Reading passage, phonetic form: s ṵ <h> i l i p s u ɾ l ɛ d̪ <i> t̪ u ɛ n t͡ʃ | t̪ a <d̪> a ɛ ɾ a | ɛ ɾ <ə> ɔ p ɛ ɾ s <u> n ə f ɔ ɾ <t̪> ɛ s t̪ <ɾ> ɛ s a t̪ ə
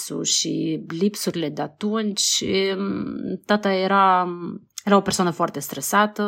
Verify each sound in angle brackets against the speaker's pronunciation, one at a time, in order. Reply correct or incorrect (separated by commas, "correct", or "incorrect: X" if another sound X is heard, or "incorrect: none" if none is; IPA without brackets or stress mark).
incorrect: ʃ, incorrect: a, incorrect: t̪, incorrect: a, incorrect: ɔ, correct, correct